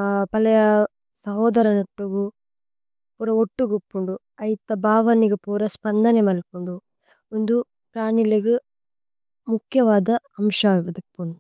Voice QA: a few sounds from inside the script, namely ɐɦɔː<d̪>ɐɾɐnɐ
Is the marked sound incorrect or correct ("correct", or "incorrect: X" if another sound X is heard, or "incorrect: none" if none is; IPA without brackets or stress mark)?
correct